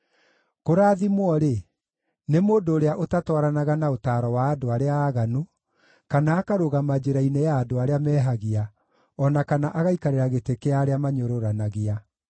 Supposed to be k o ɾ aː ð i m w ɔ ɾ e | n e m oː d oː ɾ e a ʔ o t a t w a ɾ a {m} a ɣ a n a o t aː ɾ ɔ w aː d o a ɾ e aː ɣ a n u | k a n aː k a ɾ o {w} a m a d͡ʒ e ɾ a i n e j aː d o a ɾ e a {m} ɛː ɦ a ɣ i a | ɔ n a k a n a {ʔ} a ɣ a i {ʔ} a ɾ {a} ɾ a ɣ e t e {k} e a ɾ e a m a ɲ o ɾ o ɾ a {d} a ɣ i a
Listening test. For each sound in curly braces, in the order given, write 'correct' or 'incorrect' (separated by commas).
incorrect, incorrect, correct, correct, incorrect, incorrect, correct, incorrect